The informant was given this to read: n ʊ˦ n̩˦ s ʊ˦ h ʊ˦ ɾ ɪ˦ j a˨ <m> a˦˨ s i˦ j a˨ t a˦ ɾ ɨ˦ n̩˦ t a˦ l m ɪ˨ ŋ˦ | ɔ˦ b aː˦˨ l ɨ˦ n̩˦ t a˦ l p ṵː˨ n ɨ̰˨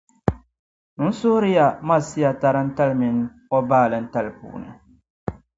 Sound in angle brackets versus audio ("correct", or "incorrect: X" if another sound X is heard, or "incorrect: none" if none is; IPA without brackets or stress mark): correct